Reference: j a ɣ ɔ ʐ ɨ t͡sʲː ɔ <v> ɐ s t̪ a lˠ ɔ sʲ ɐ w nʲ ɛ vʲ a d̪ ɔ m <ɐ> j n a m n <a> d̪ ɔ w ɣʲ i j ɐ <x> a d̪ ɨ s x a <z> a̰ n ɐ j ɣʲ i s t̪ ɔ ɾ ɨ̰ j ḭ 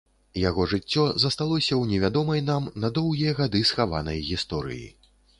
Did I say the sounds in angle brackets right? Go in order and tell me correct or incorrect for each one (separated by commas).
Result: incorrect, correct, incorrect, incorrect, incorrect